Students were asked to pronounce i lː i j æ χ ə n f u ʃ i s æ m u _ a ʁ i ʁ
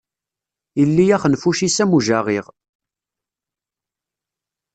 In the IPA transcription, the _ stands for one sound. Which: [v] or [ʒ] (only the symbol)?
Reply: ʒ